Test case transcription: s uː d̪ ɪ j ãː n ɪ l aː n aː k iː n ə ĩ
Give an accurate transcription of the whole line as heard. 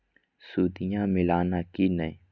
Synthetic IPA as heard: s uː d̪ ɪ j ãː m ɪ l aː n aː k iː n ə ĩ